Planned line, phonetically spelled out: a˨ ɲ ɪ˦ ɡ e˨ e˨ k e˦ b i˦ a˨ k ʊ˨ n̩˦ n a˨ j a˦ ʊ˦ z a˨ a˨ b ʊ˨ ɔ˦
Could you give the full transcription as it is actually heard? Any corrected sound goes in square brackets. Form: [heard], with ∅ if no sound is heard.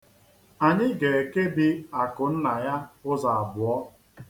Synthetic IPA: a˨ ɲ ɪ˦ ɡ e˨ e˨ k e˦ b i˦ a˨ k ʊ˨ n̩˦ n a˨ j a˦ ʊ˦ z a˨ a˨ b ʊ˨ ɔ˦

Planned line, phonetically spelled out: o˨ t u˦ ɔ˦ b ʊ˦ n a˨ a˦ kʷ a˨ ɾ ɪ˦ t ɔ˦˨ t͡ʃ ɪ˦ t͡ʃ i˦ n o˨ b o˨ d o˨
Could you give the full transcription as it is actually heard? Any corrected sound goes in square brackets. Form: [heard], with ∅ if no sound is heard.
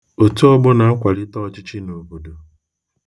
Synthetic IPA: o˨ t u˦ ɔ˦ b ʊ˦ n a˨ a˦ kʷ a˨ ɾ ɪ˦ t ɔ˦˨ t͡ʃ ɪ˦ t͡ʃ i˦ n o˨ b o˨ d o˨

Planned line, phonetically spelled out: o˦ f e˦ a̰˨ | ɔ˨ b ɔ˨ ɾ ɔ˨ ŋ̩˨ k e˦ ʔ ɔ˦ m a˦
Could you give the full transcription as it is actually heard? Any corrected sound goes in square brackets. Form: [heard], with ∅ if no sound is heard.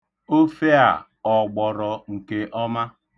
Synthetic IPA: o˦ f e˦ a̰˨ | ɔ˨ [ɡ͡b] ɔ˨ ɾ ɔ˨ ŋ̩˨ k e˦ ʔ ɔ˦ m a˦

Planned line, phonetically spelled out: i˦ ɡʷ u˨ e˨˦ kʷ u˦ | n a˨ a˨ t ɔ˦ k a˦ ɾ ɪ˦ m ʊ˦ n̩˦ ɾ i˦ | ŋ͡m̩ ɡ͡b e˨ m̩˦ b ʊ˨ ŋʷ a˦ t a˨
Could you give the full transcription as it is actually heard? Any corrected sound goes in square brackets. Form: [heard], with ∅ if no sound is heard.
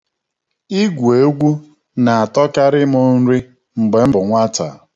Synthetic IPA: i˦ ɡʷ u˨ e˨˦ [ɡʷ] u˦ | n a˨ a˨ t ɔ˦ k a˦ ɾ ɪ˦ m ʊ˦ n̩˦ ɾ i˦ | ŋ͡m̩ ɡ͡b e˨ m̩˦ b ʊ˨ ŋʷ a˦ t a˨

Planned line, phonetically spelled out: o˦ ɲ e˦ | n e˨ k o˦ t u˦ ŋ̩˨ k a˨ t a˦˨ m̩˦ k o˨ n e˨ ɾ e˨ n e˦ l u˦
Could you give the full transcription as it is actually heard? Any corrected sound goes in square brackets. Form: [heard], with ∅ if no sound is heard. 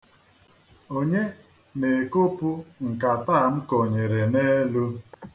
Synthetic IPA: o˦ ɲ e˦ | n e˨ k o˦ [p] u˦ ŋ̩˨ k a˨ t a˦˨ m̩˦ k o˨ [ɲ] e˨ ɾ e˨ n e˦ l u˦

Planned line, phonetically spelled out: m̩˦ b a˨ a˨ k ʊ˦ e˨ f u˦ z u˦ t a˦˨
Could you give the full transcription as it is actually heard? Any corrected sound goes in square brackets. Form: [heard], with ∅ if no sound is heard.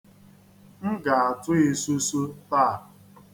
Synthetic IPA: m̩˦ [ɡ] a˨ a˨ [t] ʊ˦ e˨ [s] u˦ [s] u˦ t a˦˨

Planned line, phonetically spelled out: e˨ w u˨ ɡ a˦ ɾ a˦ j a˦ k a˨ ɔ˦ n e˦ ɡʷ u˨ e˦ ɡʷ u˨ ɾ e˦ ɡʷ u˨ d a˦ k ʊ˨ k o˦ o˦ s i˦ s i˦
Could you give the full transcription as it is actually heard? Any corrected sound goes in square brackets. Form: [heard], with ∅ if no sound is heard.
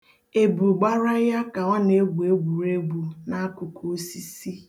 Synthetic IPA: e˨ [b] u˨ [ɡ͡b] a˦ ɾ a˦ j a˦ k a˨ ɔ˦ n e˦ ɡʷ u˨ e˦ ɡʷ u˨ ɾ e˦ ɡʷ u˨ [n] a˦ k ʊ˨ k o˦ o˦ s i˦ s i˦

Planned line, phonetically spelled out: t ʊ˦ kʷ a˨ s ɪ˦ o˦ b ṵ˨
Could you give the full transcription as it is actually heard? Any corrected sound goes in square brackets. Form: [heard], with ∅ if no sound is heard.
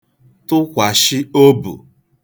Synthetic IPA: t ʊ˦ kʷ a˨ [ʃ] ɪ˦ o˦ b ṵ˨

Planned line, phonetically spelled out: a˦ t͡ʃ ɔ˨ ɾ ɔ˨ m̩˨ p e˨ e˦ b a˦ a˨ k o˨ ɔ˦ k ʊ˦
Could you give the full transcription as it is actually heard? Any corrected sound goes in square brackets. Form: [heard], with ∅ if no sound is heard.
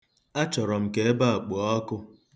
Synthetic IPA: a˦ t͡ʃ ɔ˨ ɾ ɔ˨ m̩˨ [k] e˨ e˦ b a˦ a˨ [k͡p] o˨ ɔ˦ k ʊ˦

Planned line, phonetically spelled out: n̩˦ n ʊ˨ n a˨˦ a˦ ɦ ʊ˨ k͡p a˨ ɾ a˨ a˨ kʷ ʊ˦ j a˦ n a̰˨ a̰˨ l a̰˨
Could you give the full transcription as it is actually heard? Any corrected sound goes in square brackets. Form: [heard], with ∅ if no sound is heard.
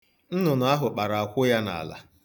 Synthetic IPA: n̩˦ n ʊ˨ n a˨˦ a˦ ɦ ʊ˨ k͡p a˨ ɾ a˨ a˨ kʷ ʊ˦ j a˦ n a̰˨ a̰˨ l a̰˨

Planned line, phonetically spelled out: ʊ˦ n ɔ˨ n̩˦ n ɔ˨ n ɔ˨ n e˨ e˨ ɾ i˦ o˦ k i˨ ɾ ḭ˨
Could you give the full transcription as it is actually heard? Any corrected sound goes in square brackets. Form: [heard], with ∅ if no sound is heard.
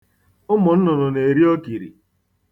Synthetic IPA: ʊ˦ [m] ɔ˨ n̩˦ n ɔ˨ n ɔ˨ n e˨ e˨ ɾ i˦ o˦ k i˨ ɾ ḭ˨

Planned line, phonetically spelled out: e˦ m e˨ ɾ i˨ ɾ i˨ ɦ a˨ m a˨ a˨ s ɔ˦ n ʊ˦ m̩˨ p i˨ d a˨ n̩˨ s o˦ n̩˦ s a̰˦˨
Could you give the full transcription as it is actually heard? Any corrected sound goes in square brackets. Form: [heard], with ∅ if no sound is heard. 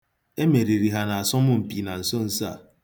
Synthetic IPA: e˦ m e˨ ɾ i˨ ɾ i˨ ɦ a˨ [n] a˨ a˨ s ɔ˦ [m] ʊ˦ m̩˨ p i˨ [n] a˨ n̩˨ s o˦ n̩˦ s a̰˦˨

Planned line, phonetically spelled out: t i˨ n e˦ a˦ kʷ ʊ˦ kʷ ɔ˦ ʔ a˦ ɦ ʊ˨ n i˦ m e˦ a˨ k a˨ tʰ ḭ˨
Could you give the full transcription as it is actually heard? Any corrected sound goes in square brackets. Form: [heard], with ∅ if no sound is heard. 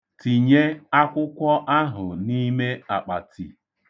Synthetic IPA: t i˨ [ɲ] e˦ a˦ kʷ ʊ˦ kʷ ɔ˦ ʔ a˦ ɦ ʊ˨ n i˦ m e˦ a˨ [k͡p] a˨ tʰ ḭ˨

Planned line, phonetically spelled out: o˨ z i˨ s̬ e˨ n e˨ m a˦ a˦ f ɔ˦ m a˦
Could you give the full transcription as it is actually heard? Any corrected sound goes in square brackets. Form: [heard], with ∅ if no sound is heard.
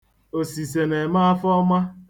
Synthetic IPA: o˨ [s] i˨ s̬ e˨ n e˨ m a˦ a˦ f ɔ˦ m a˦

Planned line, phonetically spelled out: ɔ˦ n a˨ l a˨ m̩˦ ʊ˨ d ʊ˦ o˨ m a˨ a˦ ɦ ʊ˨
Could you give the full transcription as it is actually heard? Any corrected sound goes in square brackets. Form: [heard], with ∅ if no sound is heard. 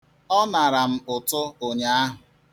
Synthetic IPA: ɔ˦ n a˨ [ɾ] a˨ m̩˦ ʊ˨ [t] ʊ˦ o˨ [ɲ] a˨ a˦ ɦ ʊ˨

